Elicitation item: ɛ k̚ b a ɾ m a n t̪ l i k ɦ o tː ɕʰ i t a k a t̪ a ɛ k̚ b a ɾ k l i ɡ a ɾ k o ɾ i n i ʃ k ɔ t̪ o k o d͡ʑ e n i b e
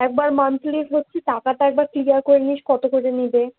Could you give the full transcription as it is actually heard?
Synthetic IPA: ɛ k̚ b a ɾ m a n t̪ l i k ɦ o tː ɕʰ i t a k a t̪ a ɛ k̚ b a ɾ k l i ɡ a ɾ k o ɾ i n i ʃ k ɔ t̪ o k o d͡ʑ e n i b e